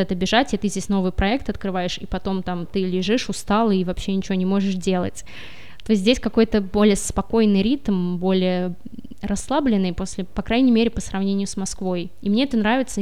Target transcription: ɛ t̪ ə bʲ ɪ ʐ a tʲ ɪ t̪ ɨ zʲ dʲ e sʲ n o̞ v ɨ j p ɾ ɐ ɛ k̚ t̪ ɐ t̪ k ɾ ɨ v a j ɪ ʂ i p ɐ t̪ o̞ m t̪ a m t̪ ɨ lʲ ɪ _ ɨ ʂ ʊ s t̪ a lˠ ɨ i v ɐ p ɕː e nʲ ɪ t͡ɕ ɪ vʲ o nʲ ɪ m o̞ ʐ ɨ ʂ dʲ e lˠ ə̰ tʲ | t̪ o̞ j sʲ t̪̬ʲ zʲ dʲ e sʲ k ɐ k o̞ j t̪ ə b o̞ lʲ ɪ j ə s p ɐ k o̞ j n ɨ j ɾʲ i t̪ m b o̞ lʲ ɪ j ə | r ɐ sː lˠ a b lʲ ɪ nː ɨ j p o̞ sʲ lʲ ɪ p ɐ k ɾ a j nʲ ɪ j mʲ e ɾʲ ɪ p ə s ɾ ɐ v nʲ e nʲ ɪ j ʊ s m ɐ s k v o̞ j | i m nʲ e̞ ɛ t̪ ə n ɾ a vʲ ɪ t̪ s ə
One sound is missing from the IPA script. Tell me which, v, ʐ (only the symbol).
ʐ